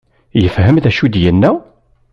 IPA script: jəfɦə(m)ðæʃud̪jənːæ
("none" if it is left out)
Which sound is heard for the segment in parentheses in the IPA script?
m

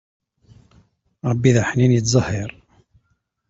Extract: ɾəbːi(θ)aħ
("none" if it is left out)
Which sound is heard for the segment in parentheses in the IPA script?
ð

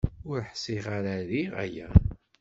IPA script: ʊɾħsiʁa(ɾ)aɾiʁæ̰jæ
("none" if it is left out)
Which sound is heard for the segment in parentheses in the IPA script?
ɾ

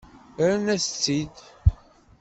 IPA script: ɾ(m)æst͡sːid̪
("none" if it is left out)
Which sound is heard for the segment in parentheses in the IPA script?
n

